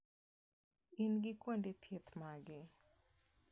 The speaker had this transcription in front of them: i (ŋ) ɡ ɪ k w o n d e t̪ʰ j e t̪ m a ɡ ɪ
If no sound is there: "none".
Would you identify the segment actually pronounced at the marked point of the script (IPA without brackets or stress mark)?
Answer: n